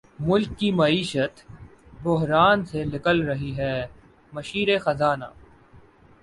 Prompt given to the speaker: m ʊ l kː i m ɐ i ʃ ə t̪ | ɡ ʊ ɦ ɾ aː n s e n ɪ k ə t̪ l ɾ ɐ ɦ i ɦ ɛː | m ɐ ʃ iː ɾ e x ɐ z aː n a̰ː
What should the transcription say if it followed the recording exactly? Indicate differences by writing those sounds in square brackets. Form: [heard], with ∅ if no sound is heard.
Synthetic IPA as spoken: m ʊ l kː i m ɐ [iː] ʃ ə t̪ | [b] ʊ ɦ ɾ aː n s e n ɪ k ə [∅] l ɾ ɐ ɦ i ɦ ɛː | m ɐ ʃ iː ɾ e x ɐ z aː n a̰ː